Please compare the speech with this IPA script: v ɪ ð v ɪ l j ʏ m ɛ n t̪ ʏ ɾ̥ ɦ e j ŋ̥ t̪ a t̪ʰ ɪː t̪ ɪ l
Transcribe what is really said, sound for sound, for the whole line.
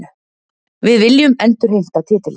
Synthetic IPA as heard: v ɪ ð v ɪ l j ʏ m ɛ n t̪ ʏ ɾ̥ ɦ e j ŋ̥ t̪ a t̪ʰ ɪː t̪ ɪ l